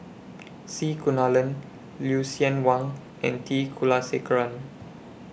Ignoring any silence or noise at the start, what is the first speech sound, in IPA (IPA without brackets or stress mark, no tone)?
s